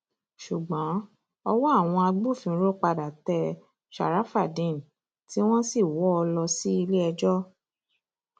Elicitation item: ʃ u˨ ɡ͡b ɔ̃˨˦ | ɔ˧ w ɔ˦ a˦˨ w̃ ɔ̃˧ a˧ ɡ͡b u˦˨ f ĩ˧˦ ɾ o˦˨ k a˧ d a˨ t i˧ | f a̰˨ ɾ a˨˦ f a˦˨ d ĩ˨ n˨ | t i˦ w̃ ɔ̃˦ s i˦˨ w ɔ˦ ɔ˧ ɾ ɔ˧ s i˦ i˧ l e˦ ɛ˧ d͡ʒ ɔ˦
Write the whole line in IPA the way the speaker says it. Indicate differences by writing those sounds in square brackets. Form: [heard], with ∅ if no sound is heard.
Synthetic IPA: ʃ u˨ ɡ͡b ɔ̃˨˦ | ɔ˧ w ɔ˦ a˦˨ w̃ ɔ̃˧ a˧ ɡ͡b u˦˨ f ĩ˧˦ ɾ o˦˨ [k͡p] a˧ d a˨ t [ɛ˧] | [ʃ] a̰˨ ɾ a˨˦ f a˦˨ d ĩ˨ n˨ | t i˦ w̃ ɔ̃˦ s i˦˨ w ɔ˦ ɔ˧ [l] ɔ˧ s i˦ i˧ l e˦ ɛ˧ d͡ʒ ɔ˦